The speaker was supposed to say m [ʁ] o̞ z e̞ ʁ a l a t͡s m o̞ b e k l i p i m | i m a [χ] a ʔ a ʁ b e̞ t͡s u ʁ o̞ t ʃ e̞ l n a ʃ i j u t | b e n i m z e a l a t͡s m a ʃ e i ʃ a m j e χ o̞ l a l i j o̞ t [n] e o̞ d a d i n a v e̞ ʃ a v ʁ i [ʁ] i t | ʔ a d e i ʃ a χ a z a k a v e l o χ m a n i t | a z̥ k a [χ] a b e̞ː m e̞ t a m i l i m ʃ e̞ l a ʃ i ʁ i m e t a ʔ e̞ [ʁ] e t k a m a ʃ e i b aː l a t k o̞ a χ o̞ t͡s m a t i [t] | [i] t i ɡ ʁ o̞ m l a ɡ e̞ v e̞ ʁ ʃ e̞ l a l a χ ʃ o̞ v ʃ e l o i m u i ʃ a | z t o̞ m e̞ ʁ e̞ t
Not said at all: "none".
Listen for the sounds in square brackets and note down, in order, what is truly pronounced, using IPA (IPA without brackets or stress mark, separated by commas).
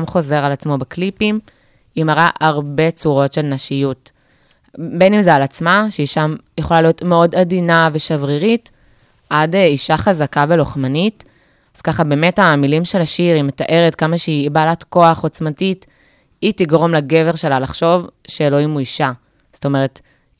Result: χ, ʁ, m, ʁ, χ, ʁ, t, i